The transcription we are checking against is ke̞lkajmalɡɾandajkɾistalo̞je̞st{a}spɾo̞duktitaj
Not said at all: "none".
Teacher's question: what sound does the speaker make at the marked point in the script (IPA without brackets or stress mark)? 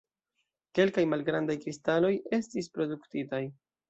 i